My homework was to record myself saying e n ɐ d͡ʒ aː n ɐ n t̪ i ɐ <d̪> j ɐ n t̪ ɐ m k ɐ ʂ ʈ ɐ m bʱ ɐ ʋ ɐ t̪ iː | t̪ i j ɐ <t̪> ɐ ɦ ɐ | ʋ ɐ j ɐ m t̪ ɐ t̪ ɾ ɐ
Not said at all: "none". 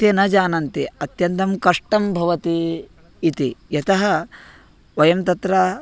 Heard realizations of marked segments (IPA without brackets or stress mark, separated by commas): t̪, t̪